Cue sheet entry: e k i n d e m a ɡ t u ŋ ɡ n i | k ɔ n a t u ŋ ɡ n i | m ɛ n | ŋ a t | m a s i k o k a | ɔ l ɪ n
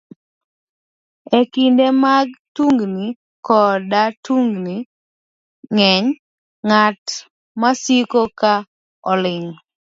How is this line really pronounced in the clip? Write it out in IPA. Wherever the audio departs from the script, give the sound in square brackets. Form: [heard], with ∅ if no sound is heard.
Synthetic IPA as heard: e k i n d e m a ɡ t u ŋ ɡ n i | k ɔ [d] a t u ŋ ɡ n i | [ŋ] ɛ [ɲ] | ŋ a t | m a s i k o k a | ɔ l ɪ [ŋ]